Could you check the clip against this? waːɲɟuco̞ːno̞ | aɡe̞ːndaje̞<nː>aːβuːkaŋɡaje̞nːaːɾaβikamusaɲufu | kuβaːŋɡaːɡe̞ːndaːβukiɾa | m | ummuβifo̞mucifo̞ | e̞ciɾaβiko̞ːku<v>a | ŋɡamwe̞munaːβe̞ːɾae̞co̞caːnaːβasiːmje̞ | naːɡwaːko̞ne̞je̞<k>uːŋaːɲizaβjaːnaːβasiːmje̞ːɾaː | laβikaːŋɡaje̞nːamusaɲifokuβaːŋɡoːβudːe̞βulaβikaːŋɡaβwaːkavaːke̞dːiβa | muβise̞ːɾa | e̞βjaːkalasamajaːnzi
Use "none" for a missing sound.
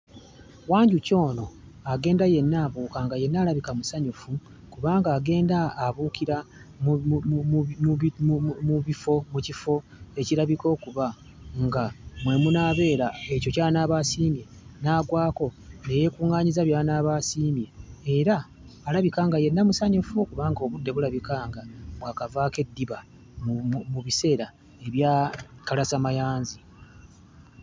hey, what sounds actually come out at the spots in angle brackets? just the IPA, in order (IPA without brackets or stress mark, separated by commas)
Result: nː, β, k